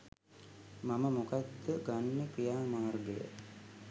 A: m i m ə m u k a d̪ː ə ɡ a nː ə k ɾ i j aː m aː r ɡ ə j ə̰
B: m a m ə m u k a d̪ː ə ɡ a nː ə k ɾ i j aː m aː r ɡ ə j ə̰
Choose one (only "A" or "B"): B